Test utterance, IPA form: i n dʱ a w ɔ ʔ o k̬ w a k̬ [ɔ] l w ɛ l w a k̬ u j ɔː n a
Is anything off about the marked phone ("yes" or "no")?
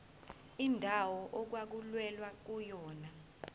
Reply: yes